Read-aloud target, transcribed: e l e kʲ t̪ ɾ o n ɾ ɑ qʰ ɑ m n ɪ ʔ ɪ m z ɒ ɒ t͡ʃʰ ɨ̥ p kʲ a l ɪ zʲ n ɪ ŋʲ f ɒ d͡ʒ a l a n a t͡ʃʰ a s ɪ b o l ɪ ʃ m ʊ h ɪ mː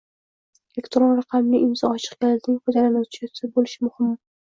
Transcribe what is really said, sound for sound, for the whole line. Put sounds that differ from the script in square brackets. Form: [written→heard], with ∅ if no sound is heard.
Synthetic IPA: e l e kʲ t̪ ɾ o n ɾ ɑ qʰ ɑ m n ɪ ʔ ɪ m z ɒ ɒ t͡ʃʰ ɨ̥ [p→q] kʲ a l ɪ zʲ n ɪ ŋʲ f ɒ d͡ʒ a l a n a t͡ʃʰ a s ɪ b o l ɪ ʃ m ʊ h ɪ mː